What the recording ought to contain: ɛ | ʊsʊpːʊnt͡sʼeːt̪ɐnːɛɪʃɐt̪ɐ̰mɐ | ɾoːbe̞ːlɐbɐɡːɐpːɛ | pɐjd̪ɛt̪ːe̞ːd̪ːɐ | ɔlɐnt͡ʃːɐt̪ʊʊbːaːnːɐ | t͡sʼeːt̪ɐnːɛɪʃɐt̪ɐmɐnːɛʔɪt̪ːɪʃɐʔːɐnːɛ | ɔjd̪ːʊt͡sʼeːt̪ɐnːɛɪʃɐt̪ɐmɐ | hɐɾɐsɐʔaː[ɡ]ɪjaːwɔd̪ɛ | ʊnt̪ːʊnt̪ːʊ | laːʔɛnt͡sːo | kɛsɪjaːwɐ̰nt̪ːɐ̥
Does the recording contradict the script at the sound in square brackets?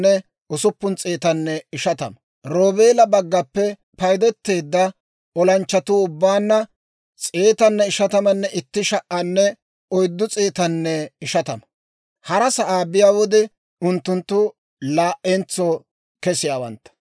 yes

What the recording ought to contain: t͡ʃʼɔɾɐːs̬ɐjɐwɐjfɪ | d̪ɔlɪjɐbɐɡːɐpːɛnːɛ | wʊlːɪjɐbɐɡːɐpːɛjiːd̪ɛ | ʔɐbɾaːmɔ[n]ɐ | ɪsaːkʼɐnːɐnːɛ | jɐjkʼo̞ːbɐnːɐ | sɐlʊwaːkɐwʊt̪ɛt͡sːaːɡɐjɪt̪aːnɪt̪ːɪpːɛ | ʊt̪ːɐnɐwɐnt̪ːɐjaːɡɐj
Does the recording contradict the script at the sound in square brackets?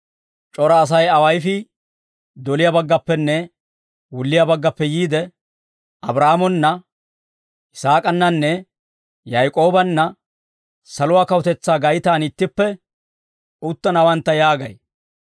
yes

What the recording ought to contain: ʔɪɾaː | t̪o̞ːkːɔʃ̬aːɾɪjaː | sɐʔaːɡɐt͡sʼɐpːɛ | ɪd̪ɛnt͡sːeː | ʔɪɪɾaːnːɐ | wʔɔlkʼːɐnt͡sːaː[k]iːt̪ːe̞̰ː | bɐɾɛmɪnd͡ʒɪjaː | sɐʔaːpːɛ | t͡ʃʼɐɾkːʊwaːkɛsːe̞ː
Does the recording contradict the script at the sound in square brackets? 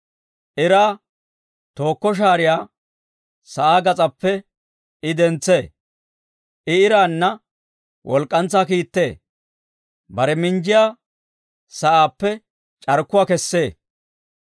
no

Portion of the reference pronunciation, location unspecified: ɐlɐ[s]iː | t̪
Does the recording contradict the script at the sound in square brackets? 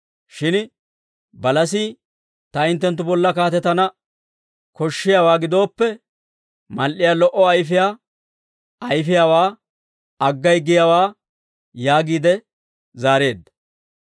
no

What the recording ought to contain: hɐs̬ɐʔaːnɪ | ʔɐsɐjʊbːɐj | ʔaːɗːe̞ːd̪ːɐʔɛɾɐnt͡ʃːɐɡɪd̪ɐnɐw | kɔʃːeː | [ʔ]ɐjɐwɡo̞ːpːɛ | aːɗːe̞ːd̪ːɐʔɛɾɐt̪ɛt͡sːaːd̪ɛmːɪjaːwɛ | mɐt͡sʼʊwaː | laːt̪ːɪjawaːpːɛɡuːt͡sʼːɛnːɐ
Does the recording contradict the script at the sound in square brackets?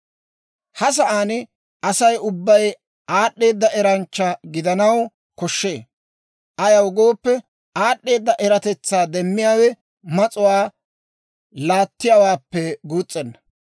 no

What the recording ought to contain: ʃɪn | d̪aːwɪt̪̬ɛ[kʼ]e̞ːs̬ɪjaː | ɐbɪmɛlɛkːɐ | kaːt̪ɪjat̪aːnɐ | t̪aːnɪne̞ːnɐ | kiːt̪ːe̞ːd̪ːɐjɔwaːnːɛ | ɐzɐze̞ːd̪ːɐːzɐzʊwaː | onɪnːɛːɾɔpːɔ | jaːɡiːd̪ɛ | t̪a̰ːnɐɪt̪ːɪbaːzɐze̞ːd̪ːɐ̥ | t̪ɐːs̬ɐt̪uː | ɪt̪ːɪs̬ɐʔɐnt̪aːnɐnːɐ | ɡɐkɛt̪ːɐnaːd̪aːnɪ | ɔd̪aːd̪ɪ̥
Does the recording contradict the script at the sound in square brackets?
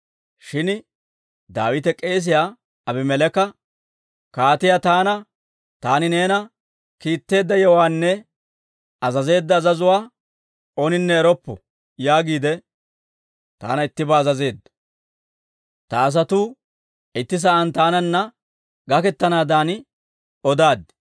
no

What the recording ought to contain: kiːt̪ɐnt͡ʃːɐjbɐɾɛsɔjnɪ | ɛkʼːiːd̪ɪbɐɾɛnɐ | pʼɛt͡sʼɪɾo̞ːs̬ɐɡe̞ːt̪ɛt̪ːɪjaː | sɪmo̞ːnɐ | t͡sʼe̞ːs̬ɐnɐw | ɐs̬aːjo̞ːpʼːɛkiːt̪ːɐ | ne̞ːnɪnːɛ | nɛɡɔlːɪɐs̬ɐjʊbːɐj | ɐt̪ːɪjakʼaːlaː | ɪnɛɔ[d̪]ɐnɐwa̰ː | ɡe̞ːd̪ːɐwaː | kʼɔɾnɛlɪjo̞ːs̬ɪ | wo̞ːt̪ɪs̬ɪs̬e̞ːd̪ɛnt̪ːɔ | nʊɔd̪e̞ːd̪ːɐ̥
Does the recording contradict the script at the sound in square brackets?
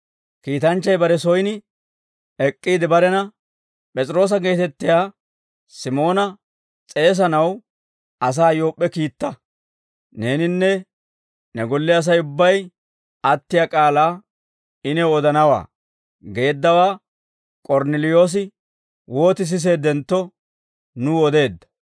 no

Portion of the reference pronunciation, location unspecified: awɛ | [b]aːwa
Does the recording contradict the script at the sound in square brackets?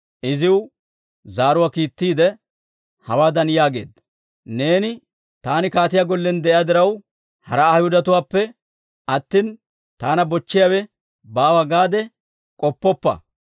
no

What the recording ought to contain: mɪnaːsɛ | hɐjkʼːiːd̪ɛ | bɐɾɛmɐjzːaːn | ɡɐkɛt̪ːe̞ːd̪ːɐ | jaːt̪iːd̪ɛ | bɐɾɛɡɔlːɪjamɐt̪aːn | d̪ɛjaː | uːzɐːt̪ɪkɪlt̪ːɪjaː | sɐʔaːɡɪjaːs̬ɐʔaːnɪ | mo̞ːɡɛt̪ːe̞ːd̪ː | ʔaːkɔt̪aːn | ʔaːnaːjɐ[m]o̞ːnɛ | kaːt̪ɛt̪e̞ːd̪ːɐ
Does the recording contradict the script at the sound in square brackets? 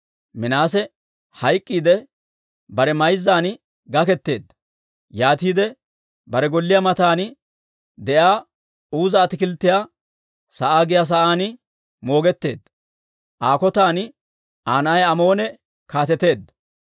no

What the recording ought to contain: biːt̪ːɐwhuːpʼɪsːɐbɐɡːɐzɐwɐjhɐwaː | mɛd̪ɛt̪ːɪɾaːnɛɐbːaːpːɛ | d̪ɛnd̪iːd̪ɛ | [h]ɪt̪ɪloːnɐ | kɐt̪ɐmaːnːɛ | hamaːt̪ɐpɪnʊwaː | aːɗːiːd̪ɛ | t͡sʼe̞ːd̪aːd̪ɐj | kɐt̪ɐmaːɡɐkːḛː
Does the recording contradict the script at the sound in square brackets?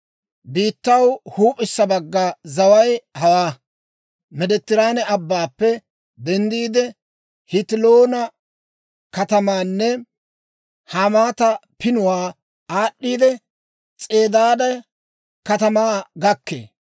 no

